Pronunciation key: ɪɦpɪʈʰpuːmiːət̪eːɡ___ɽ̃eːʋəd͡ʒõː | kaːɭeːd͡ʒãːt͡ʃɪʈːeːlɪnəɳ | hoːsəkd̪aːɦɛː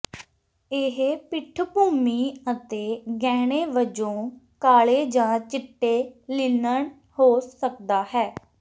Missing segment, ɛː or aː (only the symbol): ɛː